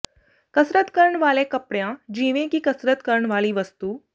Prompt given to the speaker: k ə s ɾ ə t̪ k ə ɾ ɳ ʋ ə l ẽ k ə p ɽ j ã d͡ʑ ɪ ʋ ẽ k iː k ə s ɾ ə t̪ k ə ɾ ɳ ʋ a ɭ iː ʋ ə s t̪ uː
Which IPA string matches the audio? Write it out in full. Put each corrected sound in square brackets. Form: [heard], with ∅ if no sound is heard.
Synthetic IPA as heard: k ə s ɾ ə t̪ k ə ɾ ɳ ʋ [a] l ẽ k ə p ɽ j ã d͡ʑ [i] ʋ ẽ k iː k ə s ɾ ə t̪ k ə ɾ ɳ ʋ a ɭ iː ʋ ə s t̪ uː